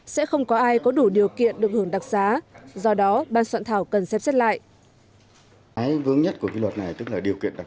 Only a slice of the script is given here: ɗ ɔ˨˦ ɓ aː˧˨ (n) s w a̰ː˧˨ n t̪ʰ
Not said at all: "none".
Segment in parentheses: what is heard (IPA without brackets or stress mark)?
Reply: n